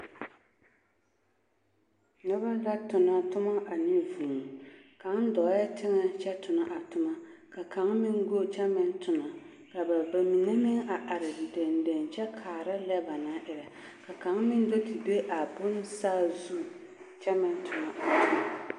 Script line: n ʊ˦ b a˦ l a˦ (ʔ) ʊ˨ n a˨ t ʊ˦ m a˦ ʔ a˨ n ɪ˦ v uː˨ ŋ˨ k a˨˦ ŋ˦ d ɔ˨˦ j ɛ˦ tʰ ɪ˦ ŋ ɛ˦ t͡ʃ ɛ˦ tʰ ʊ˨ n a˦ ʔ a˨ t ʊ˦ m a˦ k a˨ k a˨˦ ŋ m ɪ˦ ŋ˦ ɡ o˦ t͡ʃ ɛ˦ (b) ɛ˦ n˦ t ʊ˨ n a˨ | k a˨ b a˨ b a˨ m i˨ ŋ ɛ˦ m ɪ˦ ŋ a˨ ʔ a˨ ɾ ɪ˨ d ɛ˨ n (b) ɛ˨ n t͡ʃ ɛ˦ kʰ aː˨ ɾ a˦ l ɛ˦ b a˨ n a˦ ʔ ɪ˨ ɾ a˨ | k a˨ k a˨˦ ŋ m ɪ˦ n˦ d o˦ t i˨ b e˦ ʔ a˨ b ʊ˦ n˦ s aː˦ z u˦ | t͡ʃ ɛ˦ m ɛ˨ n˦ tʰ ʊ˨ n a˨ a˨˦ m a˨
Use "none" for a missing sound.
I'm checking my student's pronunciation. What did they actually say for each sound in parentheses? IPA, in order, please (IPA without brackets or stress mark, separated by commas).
t, m, d